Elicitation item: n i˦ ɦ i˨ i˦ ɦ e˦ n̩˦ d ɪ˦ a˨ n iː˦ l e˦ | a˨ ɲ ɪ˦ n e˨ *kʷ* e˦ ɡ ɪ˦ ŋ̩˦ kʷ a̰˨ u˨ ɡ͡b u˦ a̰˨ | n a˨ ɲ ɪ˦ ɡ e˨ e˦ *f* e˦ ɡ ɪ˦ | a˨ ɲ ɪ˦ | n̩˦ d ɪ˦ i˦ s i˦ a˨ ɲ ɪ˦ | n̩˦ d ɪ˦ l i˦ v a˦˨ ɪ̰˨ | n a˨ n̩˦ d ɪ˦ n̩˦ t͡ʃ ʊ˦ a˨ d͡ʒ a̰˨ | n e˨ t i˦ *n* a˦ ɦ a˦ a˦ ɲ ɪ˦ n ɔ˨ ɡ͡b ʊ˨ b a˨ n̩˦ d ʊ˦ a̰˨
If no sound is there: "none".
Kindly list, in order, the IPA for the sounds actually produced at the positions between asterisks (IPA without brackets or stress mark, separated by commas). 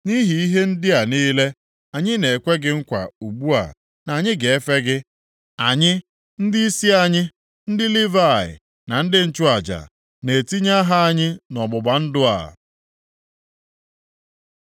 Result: kʷ, f, ɲ